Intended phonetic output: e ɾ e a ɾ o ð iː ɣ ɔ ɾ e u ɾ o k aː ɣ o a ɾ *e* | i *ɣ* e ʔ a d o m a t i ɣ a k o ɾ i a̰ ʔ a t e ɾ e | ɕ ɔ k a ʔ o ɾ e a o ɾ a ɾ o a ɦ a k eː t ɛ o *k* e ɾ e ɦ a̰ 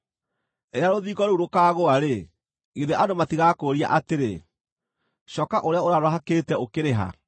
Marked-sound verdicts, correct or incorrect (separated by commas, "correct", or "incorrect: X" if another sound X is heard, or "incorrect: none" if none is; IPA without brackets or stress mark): correct, incorrect: ð, correct